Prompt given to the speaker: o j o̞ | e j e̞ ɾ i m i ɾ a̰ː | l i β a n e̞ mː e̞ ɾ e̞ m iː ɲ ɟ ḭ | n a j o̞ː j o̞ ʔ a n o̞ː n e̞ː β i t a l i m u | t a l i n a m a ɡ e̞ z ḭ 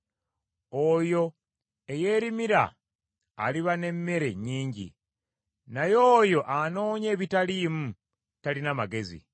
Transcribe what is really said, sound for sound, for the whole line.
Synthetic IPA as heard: o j o̞ | e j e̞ ɾ i m i ɾ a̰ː | l i β a n e̞ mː e̞ ɾ e̞ ɲ iː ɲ ɟ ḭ | n a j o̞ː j o̞ ʔ a n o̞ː ɲ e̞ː β i t a l i m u | t a l i n a m a ɡ e̞ z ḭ